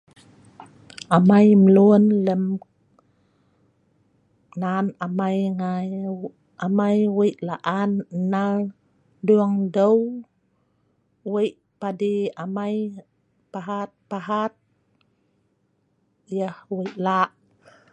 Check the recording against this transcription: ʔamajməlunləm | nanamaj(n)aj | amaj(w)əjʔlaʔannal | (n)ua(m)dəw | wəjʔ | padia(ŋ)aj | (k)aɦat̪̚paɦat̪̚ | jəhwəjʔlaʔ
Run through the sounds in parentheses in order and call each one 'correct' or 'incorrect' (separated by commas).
incorrect, correct, incorrect, incorrect, incorrect, incorrect